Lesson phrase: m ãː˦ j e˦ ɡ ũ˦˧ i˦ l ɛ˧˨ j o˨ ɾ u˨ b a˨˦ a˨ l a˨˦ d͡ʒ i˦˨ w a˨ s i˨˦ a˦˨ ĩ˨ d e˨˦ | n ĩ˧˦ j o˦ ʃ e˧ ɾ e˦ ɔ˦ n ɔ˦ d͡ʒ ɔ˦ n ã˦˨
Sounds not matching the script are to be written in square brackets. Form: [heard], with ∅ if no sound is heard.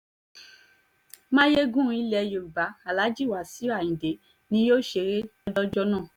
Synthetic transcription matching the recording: m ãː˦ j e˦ ɡ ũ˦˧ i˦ l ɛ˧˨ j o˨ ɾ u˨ b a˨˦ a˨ l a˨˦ d͡ʒ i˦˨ w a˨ s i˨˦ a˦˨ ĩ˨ d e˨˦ | n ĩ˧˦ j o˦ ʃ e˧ ɾ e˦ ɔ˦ [d] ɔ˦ d͡ʒ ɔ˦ n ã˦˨